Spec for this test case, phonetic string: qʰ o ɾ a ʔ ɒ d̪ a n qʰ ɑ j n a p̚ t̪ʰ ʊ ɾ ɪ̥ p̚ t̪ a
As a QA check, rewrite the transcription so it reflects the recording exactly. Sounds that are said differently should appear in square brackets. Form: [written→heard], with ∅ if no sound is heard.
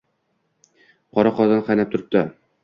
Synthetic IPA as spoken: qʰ [o→ɒ] ɾ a [ʔ→q] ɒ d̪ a n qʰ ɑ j n a p̚ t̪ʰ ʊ ɾ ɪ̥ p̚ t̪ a